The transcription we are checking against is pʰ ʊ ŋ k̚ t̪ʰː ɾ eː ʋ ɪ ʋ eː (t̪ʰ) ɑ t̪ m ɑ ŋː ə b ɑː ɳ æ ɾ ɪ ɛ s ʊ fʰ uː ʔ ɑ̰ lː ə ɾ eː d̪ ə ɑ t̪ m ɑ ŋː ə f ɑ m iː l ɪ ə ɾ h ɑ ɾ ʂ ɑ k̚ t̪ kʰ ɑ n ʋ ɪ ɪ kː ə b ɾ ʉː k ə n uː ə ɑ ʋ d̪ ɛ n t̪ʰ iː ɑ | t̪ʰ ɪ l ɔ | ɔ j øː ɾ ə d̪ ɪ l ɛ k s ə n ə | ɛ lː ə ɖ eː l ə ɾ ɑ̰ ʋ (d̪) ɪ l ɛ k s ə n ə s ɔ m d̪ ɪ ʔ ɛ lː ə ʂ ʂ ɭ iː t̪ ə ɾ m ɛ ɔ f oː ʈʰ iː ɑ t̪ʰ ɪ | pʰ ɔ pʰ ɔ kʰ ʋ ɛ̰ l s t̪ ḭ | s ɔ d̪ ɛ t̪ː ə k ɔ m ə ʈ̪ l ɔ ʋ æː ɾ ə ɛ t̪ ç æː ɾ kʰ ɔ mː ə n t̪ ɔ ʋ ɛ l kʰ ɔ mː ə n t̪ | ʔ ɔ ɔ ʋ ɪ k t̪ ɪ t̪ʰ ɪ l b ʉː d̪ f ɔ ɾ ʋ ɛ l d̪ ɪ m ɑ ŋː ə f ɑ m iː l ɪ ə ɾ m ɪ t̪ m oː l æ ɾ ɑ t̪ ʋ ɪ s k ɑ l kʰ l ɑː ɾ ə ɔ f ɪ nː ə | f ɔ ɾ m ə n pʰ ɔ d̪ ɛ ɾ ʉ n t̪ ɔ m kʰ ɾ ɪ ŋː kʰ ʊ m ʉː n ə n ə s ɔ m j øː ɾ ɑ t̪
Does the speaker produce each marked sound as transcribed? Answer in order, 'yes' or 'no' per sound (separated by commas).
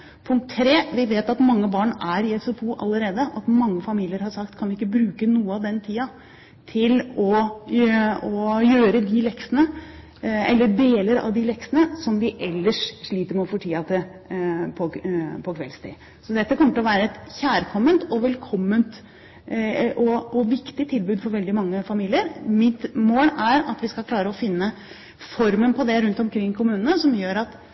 no, yes